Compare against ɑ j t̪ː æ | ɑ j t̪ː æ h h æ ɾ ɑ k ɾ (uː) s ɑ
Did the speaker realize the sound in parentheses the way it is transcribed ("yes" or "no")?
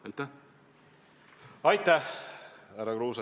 yes